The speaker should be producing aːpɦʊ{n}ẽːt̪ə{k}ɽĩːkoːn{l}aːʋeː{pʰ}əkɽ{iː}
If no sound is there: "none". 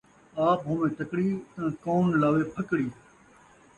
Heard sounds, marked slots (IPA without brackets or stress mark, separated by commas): m, k, l, pʰ, iː